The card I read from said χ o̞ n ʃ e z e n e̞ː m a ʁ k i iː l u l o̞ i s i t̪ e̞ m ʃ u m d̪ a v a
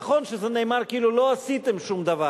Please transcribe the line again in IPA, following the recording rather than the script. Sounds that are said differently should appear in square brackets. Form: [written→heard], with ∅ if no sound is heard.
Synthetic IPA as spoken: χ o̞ n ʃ e z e n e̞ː m a ʁ k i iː l u l o̞ [i→a] s i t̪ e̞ m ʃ u m d̪ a v a